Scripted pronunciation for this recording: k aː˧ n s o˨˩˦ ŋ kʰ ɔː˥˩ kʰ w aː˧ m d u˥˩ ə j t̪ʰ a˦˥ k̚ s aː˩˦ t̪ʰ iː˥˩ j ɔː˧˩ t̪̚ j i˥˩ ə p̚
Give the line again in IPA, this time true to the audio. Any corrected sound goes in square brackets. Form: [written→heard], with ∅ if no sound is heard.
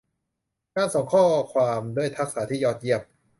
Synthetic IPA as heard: k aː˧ n s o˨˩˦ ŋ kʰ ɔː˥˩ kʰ w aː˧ m d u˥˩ ə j t̪ʰ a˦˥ k̚ s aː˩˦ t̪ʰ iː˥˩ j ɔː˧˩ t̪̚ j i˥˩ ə p̚